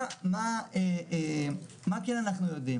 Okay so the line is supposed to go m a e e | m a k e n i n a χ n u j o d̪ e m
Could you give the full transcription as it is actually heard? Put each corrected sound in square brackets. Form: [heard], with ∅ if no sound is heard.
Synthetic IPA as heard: m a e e | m a k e n [a] n a χ n u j o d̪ [i] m